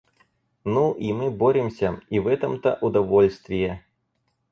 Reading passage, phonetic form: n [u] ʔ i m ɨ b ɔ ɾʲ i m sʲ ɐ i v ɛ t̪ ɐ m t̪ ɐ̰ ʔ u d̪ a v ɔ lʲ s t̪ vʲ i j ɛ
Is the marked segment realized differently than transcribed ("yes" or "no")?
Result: no